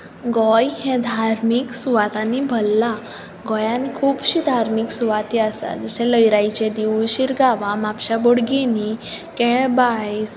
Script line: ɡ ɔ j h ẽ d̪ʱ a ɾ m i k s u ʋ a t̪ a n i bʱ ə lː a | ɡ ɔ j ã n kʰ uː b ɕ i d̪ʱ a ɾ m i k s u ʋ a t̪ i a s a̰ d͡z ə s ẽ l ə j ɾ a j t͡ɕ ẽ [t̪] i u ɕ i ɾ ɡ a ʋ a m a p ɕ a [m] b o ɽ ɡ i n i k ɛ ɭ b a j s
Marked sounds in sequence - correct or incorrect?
incorrect: d̪, incorrect: none

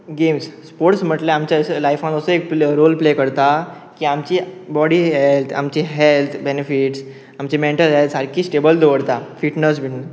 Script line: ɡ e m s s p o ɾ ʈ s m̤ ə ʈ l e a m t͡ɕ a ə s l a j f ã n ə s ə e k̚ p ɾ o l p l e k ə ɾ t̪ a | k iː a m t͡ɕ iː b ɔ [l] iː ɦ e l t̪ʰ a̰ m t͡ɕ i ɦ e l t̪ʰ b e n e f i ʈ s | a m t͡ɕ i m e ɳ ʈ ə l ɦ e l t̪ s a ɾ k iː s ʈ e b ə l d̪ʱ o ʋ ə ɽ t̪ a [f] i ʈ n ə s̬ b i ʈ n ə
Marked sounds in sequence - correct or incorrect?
incorrect: ɽ, correct

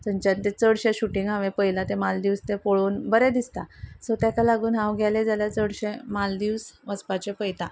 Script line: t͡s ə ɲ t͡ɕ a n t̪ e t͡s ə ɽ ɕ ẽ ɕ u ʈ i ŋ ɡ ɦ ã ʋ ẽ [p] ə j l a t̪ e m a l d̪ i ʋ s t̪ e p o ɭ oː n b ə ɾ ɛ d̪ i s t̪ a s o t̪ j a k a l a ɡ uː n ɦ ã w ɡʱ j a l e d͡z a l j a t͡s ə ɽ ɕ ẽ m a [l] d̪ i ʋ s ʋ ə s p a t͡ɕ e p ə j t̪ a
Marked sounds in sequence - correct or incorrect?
correct, correct

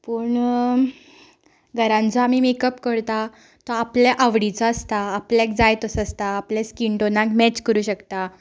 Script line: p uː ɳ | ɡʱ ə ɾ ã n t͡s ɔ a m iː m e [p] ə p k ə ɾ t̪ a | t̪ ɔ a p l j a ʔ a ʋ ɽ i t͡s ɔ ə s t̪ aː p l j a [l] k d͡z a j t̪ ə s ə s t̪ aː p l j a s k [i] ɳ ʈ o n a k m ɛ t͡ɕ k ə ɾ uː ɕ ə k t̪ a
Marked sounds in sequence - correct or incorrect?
incorrect: k, incorrect: none, correct

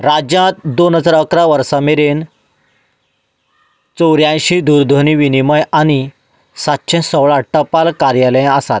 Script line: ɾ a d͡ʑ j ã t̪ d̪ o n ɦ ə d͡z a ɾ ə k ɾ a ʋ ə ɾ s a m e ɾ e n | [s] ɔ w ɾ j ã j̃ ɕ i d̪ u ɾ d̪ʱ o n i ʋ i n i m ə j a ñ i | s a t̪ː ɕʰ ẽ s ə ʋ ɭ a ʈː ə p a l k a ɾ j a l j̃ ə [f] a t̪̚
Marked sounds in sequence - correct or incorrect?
incorrect: t͡s, incorrect: s

